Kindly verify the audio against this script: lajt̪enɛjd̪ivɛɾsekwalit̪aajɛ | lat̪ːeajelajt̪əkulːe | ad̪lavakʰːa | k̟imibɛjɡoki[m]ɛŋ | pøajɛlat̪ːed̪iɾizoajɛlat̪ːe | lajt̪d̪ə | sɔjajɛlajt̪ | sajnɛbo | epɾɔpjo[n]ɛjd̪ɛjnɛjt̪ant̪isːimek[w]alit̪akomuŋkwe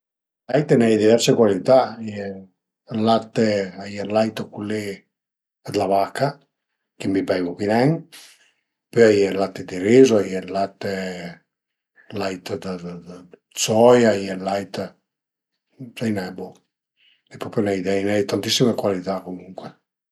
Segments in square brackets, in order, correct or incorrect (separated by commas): incorrect, correct, correct